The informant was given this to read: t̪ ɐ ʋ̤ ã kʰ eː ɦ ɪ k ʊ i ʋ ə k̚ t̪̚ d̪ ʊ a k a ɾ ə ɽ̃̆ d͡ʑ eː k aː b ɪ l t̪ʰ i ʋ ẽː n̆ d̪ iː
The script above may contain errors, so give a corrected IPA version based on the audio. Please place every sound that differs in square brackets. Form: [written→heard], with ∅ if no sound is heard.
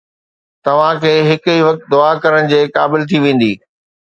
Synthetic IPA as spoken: t̪ ɐ ʋ̤ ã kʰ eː ɦ ɪ k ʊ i ʋ [ə→ɐ] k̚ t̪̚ d̪ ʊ a k [a→ɐ] ɾ ə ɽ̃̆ d͡ʑ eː k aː b ɪ l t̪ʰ i ʋ ẽː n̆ d̪ iː